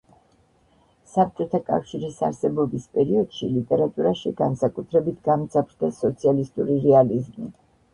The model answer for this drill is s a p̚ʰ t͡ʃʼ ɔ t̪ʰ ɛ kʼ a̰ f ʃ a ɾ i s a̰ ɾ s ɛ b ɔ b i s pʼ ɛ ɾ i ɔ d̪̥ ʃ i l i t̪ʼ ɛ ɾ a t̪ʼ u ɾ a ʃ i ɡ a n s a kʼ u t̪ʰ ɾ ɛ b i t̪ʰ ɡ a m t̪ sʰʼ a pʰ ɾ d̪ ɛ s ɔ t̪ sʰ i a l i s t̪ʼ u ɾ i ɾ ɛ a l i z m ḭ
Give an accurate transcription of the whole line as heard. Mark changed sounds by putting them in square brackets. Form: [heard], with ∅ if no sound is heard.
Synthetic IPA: s a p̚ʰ t͡ʃʼ ɔ t̪ʰ [a] kʼ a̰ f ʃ [i] ɾ i s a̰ ɾ s ɛ b ɔ b i s pʼ ɛ ɾ i ɔ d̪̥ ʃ i l i t̪ʼ ɛ ɾ a t̪ʼ u ɾ a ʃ i ɡ a n s a kʼ u t̪ʰ ɾ ɛ b i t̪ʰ ɡ a m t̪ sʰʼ a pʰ ɾ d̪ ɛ s ɔ t̪ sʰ i a l i s t̪ʼ u ɾ i ɾ ɛ a l i z m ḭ